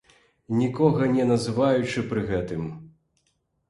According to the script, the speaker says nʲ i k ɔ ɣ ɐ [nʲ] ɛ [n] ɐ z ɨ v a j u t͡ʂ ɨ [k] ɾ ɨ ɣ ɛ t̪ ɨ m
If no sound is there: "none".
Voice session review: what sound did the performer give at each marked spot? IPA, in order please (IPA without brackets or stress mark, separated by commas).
nʲ, n, p